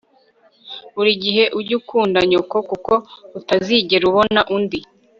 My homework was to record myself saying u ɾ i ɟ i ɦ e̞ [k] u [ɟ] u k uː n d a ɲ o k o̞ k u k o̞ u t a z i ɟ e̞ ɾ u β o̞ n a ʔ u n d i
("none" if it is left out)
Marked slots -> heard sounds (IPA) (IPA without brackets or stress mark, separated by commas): ʔ, ɟ